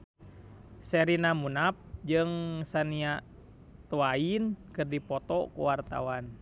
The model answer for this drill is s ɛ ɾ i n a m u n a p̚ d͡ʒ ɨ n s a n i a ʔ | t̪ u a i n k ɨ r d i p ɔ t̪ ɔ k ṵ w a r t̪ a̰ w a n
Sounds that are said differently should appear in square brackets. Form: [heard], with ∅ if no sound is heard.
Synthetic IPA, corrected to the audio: s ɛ ɾ i n a m u n a p̚ d͡ʒ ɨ [ŋ] s a n i a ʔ | t̪ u a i n k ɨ r d i p ɔ t̪ ɔ k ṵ w a r t̪ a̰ w a n